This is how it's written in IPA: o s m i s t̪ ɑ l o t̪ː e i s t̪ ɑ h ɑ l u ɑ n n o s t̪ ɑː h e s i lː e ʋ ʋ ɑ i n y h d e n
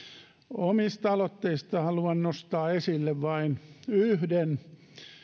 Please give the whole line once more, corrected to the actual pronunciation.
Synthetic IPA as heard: o m i s t̪ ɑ l o t̪ː e i s t̪ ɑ h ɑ l u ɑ n n o s t̪ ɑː e s i lː e ʋ ʋ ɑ i n y h d e n

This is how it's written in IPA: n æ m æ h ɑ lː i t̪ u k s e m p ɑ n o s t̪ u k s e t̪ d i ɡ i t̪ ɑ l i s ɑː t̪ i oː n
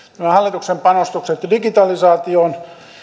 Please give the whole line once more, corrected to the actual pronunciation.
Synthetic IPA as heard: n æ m æ h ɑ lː i t̪ u k s e m p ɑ n o s t̪ u k s e t̪ d i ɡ i t̪ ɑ l i s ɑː t̪ i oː n

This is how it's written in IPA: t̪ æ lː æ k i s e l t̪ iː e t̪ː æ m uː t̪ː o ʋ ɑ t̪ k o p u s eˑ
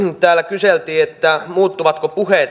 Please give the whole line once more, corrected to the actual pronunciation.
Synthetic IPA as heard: t̪ æː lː æ k y s e l t̪ iː e t̪ː æ m uː t̪ː u ʋ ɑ t̪ k o p u h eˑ

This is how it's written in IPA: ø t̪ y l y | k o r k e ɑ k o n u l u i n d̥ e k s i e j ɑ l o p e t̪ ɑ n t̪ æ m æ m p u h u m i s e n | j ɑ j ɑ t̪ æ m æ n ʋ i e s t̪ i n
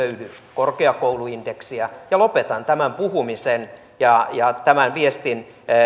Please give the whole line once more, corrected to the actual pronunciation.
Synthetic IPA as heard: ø y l y | k o r k e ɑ k o u l u i n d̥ e k s i æ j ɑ l o p e t̪ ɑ n t̪ æ m æ m p u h u m i s e n | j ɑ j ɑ t̪ æ m æ n ʋ i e s t̪ i n

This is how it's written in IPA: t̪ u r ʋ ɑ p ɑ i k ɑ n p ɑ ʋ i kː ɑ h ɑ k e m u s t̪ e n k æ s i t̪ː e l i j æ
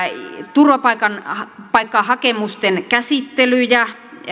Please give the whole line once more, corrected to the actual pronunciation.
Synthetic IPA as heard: t̪ u r ʋ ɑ p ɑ i k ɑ n p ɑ i kː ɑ h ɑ k e m u s t̪ e n k æ s i t̪ː e l y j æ

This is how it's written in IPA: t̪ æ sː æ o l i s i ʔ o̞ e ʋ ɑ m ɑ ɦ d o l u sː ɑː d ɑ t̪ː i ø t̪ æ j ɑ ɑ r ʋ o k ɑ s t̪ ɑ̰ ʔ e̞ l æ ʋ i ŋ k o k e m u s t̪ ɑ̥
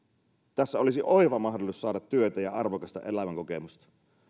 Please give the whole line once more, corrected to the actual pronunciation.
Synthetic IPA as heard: t̪ æ sː æ o l i s i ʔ o̞ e ʋ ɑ m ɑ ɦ d o l u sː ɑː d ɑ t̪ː y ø t̪ æ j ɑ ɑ r ʋ o k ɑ s t̪ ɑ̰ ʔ e̞ l æ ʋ æ ŋ k o k e m u s t̪ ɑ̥

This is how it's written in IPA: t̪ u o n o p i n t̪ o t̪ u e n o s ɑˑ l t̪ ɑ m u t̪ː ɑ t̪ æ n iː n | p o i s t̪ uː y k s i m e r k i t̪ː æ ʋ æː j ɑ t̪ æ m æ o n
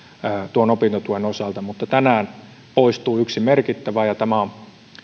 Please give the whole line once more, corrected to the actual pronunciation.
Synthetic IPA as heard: t̪ u o n o p i n t̪ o t̪ u e n o s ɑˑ l t̪ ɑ m u t̪ː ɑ t̪ æ n æː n | p o i s t̪ uː y k s i m e r k i t̪ː æ ʋ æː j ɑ t̪ æ m æ o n

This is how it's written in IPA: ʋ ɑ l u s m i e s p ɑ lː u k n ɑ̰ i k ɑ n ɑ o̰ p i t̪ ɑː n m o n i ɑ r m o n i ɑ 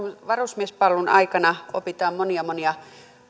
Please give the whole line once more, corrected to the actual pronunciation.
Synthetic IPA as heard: ʋ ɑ r u s m i e s p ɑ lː u n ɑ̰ i k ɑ n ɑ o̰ p i t̪ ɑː m m o n i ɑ m o n i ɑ

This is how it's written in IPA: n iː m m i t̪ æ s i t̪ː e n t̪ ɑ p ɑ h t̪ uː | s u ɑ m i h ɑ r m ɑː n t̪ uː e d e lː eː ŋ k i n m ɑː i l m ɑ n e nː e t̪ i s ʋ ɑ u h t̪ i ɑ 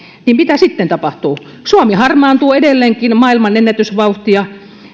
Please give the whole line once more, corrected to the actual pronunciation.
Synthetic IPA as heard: n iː m m i t̪ æ s i t̪ː e n t̪ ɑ p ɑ h t̪ uː | s u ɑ m i h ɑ r m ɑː n t̪ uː e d e lː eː ŋ k i n m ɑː i l m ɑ n e nː æ t̪ y s ʋ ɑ u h t̪ i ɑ

